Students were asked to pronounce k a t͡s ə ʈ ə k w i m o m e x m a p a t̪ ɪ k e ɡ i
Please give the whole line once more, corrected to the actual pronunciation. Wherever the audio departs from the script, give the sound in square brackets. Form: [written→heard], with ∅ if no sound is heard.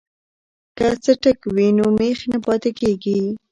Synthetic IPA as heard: k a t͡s ə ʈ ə k w i [m→n] o m e x [m→n] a p [a→ɑ] t̪ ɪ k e ɡ i

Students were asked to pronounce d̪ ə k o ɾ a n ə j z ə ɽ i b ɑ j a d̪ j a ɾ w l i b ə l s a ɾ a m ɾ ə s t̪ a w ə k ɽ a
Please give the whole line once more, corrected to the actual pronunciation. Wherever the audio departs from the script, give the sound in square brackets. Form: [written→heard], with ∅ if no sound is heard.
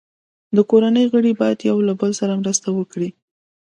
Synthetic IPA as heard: d̪ ə k o ɾ a n ə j [z→ɣ] ə ɽ i b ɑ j a d̪ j a [ɾ→∅] w l [i→a] b ə l s a ɾ a m ɾ ə s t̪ a w ə k ɽ [a→i]

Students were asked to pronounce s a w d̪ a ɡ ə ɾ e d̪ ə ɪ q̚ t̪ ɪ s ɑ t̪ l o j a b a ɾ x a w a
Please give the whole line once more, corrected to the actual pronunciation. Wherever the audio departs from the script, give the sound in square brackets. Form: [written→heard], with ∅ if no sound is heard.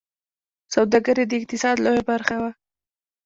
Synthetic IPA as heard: s a w d̪ a ɡ ə ɾ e d̪ ə ɪ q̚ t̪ ɪ s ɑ [t̪→d̪] l o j a b a ɾ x a w a

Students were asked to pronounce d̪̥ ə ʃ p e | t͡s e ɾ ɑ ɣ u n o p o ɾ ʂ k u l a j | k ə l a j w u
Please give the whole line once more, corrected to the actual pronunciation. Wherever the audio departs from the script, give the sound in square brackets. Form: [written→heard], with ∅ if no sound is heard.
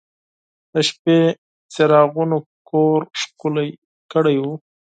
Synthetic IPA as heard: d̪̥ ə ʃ p e | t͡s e ɾ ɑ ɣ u n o [p→k] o ɾ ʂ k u l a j | k ə [l→ɽ] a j w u

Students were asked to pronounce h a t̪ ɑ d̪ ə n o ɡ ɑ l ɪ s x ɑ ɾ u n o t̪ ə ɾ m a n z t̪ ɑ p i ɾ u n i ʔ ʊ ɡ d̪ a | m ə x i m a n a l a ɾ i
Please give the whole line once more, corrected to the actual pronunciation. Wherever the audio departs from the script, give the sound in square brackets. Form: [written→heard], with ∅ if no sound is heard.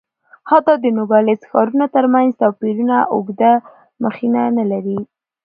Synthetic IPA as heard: h a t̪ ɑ d̪ ə n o ɡ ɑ l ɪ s x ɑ ɾ u n o t̪ ə ɾ m a n z t̪ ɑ p i ɾ u n [i→a] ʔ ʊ ɡ d̪ a | m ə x i [m→n] a n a l a ɾ i

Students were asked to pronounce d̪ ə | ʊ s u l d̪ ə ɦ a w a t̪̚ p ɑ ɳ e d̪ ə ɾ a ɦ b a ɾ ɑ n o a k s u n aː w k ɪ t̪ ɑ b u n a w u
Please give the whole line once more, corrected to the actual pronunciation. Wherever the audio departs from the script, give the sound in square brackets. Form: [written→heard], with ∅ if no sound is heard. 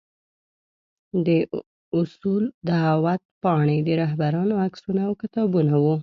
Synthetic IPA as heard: d̪ ə | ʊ s u l d̪ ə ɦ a w a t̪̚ p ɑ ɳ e d̪ ə ɾ a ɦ b a ɾ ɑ n o a k s u n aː w k ɪ t̪ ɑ b u n a w u

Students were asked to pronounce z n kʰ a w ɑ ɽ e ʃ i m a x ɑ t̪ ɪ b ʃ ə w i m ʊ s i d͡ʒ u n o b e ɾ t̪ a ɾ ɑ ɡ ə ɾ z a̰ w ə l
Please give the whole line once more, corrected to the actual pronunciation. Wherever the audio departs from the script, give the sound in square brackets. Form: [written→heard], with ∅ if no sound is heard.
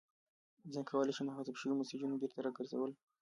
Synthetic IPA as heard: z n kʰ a w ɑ [ɽ→l] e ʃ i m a x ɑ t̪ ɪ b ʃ ə w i m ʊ s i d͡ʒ u n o b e ɾ t̪ a ɾ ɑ ɡ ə ɾ z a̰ w ə l

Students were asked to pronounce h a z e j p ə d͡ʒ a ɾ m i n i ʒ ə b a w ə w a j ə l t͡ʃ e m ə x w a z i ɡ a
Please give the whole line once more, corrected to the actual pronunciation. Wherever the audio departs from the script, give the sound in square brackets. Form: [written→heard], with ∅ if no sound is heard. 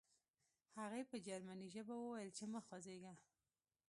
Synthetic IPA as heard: h a [z→ɣ] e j p ə d͡ʒ a ɾ m [i→a] n i ʒ ə b a w ə w a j ə l t͡ʃ e m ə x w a z [i→e] ɡ a

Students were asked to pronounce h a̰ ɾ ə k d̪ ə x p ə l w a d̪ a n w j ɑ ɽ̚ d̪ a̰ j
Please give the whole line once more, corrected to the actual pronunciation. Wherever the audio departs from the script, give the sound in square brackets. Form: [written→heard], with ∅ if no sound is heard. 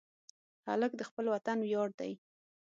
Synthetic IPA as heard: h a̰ [ɾ→l] ə k d̪ ə x p ə l w a [d̪→t̪] a n w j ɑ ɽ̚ d̪ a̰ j

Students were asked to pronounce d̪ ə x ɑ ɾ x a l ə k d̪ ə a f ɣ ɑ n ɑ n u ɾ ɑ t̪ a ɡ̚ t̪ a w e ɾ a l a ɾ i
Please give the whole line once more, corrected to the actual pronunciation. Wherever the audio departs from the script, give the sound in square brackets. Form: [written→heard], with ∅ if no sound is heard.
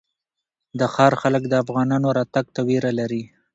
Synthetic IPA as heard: d̪ ə x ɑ ɾ x a l ə k d̪ ə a f ɣ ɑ n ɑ n [u→o] ɾ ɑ t̪ a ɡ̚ t̪ a w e ɾ a l a ɾ i

